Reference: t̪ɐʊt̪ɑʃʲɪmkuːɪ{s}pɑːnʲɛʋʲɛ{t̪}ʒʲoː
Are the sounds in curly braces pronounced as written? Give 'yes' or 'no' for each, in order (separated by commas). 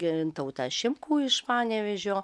no, no